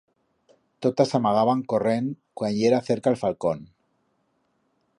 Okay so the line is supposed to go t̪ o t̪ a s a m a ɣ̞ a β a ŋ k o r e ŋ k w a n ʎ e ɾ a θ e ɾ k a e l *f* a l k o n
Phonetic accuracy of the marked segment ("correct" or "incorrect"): correct